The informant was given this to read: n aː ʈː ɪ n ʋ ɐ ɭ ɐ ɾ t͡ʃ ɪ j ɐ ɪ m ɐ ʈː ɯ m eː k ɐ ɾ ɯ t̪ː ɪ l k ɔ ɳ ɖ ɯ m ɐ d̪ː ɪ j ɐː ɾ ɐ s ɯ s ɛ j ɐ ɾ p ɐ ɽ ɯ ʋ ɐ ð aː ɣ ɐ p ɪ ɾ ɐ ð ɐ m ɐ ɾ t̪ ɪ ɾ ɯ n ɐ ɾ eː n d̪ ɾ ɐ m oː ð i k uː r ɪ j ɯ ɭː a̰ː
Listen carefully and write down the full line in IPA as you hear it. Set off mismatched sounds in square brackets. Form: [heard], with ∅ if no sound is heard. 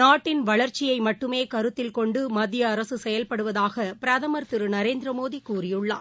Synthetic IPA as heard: n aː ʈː ɪ n ʋ ɐ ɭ ɐ ɾ t͡ʃ ɪ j ɐ ɪ m ɐ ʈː ɯ m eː k ɐ ɾ ɯ t̪ː ɪ l k ɔ ɳ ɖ ɯ m ɐ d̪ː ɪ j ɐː ɾ ɐ s ɯ s ɛ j ɐ [l] p ɐ ɽ ɯ ʋ ɐ ð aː ɣ ɐ p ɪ ɾ ɐ ð ɐ m ɐ ɾ t̪ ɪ ɾ ɯ n ɐ ɾ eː n d̪ ɾ ɐ m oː ð i k uː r ɪ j ɯ ɭː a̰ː